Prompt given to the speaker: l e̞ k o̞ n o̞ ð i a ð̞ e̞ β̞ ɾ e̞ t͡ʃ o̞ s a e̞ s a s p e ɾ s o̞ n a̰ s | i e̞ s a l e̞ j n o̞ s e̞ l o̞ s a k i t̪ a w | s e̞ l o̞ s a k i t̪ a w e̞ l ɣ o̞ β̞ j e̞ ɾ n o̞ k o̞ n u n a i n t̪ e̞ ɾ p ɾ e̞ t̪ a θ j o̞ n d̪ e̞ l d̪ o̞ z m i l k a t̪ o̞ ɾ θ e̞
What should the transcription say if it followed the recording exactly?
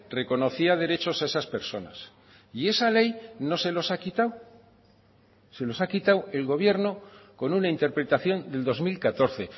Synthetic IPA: r e̞ k o̞ n o̞ θ i a ð̞ e̞ ɾ e̞ t͡ʃ o̞ s a e̞ s a s p e ɾ s o̞ n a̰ s | i e̞ s a l e̞ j n o̞ s e̞ l o̞ s a k i t̪ a w | s e̞ l o̞ s a k i t̪ a w e̞ l ɣ o̞ β̞ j e̞ ɾ n o̞ k o̞ n u n a i n t̪ e̞ ɾ p ɾ e̞ t̪ a θ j o̞ n d̪ e̞ l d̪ o̞ z m i l k a t̪ o̞ ɾ θ e̞

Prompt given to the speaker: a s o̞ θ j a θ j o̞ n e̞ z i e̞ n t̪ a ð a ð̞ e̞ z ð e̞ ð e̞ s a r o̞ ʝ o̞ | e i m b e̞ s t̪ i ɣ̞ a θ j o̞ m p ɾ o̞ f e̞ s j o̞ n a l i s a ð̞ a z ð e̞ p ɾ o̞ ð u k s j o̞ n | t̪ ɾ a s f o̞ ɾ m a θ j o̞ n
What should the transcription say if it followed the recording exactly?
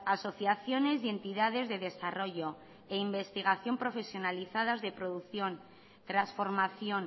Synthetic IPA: a s o̞ θ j a θ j o̞ n e̞ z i e̞ n t̪ i ð a ð̞ e̞ z ð e̞ ð e̞ s a r o̞ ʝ o̞ | e i m b e̞ s t̪ i ɣ̞ a θ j o̞ m p ɾ o̞ f e̞ s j o̞ n a l i θ a ð̞ a z ð e̞ p ɾ o̞ ð u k θ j o̞ n | t̪ ɾ a s f o̞ ɾ m a θ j o̞ n

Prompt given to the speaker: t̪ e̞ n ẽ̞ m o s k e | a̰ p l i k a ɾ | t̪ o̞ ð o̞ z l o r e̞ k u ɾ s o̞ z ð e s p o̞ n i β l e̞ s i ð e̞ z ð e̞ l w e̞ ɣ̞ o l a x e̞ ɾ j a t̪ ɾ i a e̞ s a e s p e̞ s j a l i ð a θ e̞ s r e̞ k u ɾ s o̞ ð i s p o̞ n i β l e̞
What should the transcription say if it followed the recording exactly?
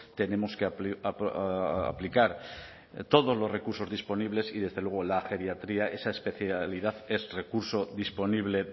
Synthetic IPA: t̪ e̞ n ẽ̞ m o s k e | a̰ p l i k a ɾ | t̪ o̞ ð o̞ z l o r e̞ k u ɾ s o̞ z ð i s p o̞ n i β l e̞ s i ð e̞ z ð e̞ l w e̞ ɣ̞ o l a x e̞ ɾ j a t̪ ɾ i a e̞ s a e s p e̞ θ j a l i ð a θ e̞ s r e̞ k u ɾ s o̞ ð i s p o̞ n i β l e̞

